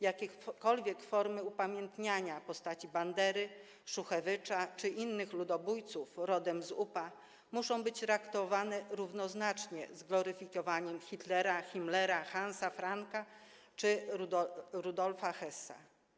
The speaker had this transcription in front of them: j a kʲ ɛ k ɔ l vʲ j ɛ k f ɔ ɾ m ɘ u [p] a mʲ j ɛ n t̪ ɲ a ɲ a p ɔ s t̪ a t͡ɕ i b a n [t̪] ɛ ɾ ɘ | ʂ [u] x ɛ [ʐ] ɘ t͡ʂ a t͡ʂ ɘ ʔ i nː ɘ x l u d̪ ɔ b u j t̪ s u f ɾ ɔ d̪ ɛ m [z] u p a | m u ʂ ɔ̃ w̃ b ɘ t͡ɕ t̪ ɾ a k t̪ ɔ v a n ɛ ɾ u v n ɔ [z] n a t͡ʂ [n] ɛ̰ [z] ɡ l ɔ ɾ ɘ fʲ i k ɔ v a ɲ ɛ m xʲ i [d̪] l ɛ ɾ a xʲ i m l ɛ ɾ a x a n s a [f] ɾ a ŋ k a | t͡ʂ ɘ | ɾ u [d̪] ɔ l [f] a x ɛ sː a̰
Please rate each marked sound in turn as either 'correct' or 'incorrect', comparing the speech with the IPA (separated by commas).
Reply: correct, incorrect, correct, incorrect, correct, correct, incorrect, correct, incorrect, correct, correct, correct